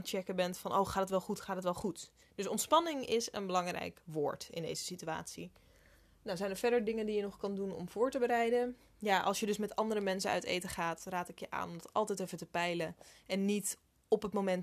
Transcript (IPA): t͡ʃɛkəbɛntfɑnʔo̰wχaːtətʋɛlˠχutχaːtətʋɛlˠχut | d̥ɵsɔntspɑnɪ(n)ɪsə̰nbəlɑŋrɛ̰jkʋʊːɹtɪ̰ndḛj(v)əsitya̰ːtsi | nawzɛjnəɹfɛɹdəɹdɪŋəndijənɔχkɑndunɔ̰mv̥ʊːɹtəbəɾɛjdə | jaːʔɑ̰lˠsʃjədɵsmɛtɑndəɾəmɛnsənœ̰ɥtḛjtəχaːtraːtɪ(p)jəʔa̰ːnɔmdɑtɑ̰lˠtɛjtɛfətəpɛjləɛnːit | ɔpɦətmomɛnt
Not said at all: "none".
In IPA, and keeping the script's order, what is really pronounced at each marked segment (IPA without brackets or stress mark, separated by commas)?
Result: ŋ, z, k